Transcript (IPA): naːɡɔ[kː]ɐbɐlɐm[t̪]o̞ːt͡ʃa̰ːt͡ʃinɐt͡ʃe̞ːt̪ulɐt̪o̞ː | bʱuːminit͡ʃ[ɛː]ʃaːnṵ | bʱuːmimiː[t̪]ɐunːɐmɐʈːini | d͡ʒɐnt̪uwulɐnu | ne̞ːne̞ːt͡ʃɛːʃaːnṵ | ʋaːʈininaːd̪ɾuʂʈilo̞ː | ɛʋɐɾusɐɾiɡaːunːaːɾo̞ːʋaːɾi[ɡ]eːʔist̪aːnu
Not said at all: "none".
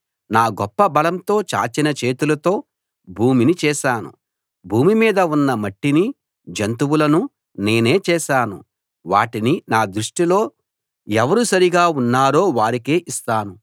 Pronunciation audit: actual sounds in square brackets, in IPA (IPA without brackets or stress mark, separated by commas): pː, t̪, ɛː, d̪, k